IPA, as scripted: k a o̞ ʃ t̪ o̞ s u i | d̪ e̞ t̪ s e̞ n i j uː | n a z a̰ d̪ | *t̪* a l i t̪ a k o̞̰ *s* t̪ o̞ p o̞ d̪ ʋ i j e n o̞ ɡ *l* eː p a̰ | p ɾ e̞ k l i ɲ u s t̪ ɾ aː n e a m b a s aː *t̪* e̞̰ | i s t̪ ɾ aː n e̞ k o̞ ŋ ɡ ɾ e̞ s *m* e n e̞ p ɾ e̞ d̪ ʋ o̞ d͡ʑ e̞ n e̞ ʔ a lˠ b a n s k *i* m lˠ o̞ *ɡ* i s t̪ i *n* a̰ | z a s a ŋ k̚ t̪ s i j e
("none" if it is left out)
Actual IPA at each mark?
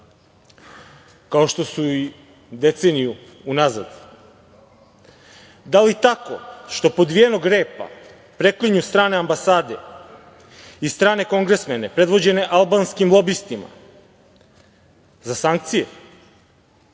d̪, ʃ, ɾ, d̪, m, i, b, m

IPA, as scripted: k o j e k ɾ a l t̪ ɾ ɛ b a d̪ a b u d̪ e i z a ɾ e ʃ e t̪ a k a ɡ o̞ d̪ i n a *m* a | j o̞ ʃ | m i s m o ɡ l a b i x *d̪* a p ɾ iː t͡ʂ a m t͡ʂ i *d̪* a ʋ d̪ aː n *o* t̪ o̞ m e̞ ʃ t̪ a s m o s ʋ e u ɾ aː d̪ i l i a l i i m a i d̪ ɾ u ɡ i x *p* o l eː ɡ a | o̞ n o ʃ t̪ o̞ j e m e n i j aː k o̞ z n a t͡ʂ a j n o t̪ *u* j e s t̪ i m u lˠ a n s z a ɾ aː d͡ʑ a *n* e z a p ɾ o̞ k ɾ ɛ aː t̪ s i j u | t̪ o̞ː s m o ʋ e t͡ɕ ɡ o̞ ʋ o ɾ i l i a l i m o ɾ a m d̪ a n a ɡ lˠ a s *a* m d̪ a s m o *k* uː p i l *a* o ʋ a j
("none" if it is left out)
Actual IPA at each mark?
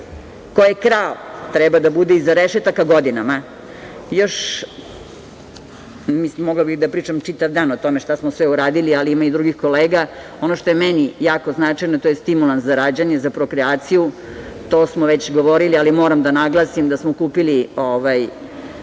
m, d̪, t̪, o, k, o, ɲ, i, k, i

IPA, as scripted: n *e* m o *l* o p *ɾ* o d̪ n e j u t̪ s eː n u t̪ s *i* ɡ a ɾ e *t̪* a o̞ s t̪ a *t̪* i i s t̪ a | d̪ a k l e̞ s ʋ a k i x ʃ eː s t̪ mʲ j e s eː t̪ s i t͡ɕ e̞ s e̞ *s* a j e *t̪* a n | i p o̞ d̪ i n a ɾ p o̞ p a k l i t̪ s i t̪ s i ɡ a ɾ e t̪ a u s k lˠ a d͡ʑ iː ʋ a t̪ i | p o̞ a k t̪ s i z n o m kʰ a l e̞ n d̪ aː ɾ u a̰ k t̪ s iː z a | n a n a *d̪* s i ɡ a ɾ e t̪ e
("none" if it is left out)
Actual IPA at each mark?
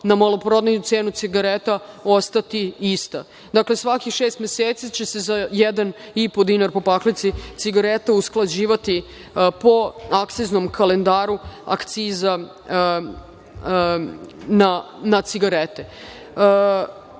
a, l, ɾ, i, t̪, t̪, z, d̪, t̪

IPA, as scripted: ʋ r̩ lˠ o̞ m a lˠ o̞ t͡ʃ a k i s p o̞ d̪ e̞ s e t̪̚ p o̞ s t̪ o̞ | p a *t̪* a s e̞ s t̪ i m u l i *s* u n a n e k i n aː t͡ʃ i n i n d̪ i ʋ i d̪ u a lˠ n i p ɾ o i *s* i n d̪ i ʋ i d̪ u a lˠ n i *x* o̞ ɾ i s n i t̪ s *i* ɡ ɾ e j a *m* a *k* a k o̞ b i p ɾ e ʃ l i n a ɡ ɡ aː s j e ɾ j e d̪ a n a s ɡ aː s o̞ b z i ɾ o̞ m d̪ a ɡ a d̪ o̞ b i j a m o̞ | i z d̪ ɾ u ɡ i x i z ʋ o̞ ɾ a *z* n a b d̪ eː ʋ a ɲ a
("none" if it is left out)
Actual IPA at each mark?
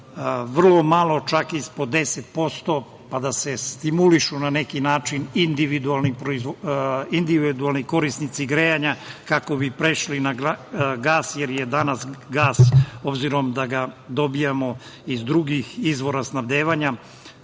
d̪, ʃ, z, k, i, ɲ, k, s

